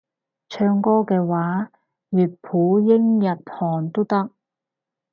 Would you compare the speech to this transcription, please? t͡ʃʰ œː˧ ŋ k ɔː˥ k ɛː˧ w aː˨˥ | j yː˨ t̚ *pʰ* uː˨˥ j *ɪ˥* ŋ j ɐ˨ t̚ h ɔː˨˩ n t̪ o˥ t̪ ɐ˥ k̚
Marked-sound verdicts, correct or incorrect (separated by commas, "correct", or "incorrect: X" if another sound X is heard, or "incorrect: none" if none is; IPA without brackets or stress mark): correct, correct